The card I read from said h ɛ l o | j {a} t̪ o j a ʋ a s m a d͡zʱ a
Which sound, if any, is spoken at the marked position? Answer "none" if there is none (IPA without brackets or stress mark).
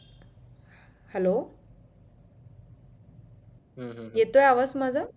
e